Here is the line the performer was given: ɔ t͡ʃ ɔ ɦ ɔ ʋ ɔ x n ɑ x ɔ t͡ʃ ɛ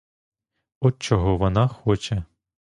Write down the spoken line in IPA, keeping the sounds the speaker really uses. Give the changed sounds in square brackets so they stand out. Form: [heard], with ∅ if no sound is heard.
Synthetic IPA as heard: ɔ t͡ʃ ɔ ɦ ɔ ʋ ɔ [∅] n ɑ x ɔ t͡ʃ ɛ